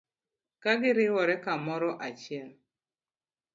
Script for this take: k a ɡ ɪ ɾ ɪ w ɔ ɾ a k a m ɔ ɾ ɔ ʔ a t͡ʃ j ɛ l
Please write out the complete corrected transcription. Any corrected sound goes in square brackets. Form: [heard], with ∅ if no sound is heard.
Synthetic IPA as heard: k a ɡ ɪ ɾ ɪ w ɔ ɾ [ɛ] k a m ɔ ɾ ɔ ʔ a t͡ʃ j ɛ l